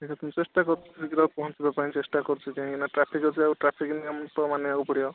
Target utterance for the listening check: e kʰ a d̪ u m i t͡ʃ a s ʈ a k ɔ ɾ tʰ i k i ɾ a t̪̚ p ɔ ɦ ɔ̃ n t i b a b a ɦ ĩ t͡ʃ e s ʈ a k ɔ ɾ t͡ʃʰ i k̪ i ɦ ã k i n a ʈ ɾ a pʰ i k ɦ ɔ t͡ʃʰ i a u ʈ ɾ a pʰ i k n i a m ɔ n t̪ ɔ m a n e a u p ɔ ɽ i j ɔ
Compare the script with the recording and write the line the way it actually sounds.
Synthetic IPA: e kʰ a t̪ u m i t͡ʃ e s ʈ a k ɔ ɾ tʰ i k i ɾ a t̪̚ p ɔ ɦ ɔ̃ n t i b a p a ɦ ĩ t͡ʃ e s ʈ a k ɔ ɾ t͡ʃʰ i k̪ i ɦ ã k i n a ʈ ɾ a pʰ i k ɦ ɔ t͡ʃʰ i a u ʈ ɾ a pʰ i k n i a m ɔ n t̪ ɔ m a n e a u p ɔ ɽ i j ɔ